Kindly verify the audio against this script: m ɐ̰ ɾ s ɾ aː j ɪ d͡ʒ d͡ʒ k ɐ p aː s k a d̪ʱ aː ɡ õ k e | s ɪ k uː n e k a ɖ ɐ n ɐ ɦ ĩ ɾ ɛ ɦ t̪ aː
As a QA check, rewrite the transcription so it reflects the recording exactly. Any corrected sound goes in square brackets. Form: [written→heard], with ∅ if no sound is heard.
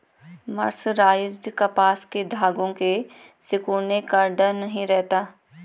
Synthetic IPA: m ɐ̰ ɾ s ɾ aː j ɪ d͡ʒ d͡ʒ k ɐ p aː s k [a→e] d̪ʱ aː ɡ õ k e | s ɪ k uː n e k a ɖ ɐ n ɐ ɦ ĩ ɾ ɛ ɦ t̪ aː